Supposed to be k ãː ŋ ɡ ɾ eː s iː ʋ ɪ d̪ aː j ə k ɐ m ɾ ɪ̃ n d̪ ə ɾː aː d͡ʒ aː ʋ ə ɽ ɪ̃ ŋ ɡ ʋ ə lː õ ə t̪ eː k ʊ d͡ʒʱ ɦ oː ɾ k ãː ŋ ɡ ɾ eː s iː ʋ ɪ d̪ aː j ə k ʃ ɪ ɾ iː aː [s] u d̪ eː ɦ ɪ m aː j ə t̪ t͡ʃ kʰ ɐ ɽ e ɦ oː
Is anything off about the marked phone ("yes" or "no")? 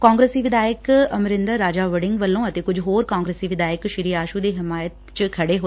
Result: yes